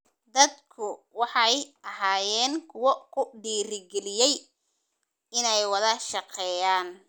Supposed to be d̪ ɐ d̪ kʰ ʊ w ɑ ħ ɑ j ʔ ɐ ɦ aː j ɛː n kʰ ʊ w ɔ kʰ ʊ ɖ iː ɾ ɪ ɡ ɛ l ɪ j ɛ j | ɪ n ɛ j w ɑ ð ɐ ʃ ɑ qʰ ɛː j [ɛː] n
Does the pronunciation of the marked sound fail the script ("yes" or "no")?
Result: yes